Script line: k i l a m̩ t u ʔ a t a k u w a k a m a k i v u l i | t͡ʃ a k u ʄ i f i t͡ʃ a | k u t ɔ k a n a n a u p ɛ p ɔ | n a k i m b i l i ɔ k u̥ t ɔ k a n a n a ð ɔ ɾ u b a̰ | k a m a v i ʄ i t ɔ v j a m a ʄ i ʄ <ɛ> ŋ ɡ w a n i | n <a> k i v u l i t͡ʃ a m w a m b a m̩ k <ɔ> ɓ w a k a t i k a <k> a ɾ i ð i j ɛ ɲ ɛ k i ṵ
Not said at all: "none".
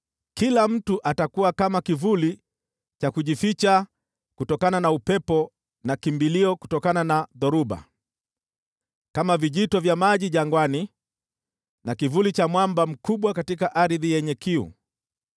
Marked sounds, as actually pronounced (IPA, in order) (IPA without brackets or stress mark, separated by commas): a, a, u, ʔ